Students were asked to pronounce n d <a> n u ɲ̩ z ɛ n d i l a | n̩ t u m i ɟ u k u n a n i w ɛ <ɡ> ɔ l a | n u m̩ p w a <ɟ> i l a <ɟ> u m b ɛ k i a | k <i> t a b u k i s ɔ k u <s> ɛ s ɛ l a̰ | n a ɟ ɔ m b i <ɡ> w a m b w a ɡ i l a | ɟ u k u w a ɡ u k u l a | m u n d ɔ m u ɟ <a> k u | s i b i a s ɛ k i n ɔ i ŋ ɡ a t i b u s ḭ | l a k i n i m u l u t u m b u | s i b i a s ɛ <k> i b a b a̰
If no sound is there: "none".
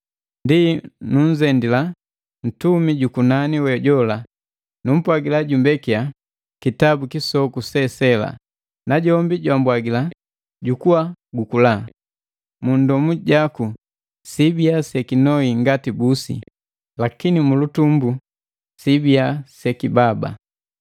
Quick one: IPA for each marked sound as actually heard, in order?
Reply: i, ɟ, ɡ, ɟ, i, s, ɟ, a, k

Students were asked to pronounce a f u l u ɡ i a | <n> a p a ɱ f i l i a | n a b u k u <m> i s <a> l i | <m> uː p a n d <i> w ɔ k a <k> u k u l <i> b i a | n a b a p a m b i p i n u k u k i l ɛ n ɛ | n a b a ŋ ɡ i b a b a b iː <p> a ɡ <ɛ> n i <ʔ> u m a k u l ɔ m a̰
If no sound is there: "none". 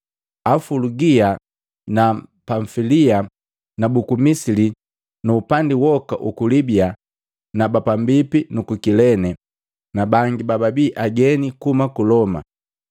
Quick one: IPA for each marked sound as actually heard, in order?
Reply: n, m, i, n, i, ʔ, i, ʔ, ɛ, k

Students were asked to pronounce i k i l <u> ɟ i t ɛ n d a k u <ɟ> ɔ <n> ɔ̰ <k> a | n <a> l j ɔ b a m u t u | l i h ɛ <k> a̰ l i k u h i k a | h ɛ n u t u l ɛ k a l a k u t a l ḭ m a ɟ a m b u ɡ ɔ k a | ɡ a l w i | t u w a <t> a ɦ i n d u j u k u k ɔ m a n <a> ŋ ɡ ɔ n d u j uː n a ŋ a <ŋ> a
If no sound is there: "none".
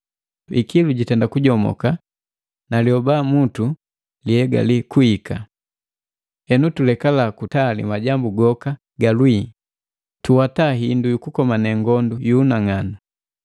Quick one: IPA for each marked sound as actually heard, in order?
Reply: u, ɟ, m, k, a, ɡ, t, ɛ, n

